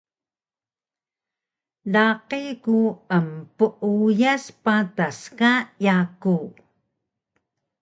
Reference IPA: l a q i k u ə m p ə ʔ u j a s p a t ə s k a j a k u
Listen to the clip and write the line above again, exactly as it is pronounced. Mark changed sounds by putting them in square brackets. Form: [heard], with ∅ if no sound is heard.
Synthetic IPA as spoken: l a q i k u ə m p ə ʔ u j a s p a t [a] s k a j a k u